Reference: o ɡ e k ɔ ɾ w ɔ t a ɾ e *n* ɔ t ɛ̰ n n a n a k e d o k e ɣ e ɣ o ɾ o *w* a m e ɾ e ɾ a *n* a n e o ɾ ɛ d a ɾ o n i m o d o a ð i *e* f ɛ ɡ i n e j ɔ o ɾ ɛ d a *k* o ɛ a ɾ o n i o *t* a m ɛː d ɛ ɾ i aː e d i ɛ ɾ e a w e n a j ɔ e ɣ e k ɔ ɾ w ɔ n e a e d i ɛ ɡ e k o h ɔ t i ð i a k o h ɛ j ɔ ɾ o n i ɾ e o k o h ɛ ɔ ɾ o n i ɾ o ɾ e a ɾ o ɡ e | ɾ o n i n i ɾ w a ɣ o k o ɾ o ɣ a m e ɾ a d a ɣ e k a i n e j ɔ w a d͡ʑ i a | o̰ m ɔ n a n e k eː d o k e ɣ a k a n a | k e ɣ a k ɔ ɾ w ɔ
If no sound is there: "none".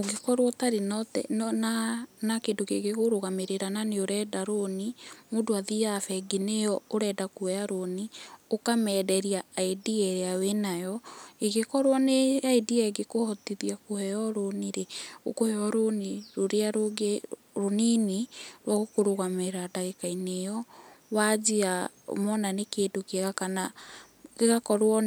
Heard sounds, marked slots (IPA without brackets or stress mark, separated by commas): n, ɣ, n, a, k, k